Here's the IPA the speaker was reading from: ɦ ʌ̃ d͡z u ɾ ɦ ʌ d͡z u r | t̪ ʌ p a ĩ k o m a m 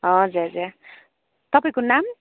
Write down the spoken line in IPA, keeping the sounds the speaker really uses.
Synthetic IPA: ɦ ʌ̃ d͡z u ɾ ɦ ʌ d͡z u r | t̪ ʌ p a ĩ k o n a m